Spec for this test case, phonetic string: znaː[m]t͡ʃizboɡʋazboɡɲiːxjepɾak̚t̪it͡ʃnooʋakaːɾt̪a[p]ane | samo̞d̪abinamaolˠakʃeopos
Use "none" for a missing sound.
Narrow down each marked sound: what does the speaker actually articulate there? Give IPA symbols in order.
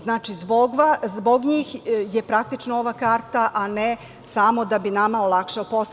none, ʔ

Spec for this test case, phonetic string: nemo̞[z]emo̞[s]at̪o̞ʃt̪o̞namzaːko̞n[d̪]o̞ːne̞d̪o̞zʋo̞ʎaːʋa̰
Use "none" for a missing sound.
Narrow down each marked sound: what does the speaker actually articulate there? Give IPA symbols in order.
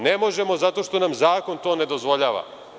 ʒ, z, t̪

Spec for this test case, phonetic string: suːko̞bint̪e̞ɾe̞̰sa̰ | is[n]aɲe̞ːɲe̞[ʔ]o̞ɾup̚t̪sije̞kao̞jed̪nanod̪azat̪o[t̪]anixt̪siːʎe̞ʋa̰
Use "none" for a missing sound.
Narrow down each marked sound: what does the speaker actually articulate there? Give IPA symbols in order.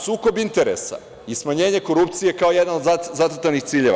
m, k, t̪

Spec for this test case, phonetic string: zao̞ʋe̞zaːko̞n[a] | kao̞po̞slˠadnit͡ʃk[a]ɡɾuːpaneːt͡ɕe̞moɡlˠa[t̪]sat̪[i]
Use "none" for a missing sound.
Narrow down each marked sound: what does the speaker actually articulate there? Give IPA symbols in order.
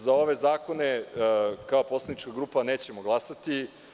e, a, none, i

